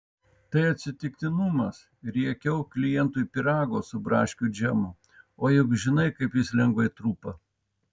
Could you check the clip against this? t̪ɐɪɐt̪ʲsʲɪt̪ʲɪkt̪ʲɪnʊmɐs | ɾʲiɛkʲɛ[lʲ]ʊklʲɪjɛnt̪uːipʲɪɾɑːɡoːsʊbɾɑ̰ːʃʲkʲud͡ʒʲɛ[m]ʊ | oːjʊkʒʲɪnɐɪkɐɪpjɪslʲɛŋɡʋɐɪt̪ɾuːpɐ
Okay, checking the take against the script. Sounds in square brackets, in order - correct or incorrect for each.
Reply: incorrect, correct

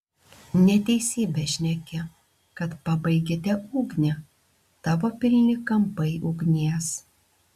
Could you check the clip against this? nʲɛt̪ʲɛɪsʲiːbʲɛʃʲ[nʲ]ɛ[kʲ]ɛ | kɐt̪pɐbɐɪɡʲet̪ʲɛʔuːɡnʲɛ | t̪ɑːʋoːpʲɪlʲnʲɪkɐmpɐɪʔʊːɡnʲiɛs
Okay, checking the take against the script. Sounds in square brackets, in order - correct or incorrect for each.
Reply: correct, correct

